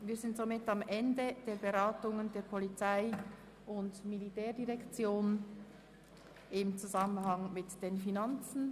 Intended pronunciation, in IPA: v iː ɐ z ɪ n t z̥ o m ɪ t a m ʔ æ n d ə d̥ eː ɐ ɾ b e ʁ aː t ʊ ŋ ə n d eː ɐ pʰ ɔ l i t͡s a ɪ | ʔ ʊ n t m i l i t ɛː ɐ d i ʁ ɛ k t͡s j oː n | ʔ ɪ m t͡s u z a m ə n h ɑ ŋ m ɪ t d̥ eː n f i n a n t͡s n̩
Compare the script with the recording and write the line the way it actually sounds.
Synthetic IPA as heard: v iː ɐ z ɪ n t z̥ o m ɪ t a m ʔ ɛ n d ə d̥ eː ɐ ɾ b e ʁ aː t ʊ ŋ ə n d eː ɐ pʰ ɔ l i t͡s a ɪ | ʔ ʊ n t m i l i t ɛː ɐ d i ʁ ɛ k t͡s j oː n | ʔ ɪ m t͡s u z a m ə n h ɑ ŋ m ɪ t d̥ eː n f i n a n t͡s n̩